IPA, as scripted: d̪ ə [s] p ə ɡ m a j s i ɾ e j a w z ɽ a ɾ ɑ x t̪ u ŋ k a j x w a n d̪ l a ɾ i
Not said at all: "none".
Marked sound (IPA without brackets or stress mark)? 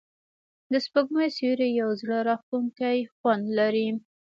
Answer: s